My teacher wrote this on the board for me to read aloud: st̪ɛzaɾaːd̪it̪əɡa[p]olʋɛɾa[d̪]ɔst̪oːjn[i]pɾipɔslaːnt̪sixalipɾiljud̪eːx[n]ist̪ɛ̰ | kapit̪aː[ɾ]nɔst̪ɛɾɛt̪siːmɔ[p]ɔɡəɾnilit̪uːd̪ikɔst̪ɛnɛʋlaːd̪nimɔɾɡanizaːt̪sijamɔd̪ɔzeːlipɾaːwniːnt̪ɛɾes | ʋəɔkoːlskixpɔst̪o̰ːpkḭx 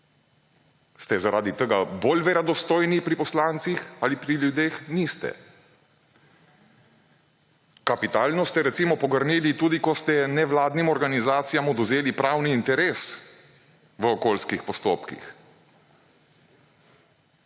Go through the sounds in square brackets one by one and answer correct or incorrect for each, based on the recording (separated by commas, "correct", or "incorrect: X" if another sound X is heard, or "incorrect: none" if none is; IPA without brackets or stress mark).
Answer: incorrect: b, correct, correct, correct, incorrect: l, correct